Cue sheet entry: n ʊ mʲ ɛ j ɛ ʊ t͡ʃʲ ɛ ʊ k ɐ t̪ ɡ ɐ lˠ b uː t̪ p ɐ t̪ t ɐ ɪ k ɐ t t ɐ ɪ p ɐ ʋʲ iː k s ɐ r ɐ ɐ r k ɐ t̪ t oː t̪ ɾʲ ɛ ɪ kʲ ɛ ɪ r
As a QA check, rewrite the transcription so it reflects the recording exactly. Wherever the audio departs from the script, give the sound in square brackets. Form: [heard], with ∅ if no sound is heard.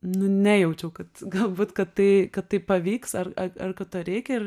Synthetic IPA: n ʊ [nʲ] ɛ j ɛ ʊ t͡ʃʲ ɛ ʊ k ɐ t̪ ɡ ɐ lˠ b uː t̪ [k] ɐ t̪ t ɐ ɪ k ɐ t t ɐ ɪ p ɐ ʋʲ iː k s ɐ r ɐ ɐ r k ɐ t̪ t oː [∅] ɾʲ ɛ ɪ kʲ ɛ ɪ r